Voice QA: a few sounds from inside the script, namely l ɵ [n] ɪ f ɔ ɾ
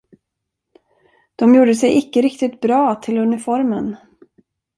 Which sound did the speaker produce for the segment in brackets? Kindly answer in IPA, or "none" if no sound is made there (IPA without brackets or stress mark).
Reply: n